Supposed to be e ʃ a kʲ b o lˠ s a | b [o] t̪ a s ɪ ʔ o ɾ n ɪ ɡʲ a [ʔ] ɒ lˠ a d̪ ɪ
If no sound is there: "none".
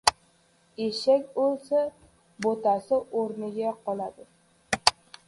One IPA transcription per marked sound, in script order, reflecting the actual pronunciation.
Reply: o, q

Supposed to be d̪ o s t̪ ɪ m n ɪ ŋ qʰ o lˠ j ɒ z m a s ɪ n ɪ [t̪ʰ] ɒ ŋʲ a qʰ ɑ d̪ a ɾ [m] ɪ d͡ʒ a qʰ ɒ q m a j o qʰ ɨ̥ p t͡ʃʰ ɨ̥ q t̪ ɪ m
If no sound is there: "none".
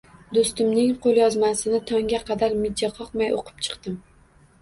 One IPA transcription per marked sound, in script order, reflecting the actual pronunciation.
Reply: t̪ʰ, m

